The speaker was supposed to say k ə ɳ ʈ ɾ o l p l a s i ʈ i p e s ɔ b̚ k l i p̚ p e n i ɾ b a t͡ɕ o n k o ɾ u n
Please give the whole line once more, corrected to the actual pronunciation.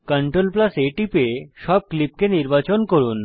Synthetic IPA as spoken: k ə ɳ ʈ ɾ o l p l a s e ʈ i p e ʃ ɔ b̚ k l i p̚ k e n i ɾ b a t͡ɕ o n k o ɾ u n